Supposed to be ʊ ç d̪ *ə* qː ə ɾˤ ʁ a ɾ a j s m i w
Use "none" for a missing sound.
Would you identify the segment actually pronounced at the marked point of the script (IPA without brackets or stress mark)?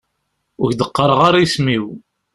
ə